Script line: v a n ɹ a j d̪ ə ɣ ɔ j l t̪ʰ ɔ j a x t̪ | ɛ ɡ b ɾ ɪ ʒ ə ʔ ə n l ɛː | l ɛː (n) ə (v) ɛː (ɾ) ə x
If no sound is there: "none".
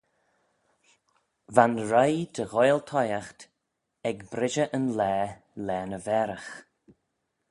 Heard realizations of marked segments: n, v, ɾ

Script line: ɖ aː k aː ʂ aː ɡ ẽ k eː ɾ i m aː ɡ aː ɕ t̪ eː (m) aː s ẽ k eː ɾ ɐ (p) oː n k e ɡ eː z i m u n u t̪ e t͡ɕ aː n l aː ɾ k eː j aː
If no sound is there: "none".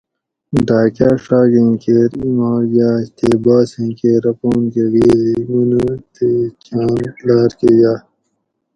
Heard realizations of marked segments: b, p

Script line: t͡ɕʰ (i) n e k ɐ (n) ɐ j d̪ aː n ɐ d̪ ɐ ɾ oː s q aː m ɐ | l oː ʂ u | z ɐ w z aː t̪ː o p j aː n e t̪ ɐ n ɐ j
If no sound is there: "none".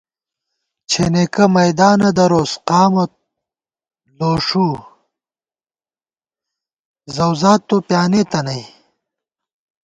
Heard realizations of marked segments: e, m

